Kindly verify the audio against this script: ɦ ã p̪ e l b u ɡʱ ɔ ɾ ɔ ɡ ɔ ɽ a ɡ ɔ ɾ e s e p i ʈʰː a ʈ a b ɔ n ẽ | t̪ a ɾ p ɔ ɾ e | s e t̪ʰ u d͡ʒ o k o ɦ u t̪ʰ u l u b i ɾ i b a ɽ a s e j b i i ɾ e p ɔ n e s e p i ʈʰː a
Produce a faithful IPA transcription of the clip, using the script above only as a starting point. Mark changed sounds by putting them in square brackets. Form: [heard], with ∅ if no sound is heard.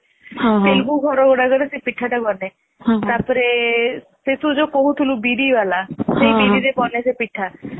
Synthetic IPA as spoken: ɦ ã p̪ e l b u ɡʱ ɔ ɾ ɔ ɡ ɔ ɽ a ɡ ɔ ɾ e s e p i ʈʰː a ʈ a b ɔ n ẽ | t̪ a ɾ p ɔ ɾ e | s e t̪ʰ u d͡ʒ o k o ɦ u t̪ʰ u l u b i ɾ i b a [l] a s e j b i i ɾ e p ɔ n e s e p i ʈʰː a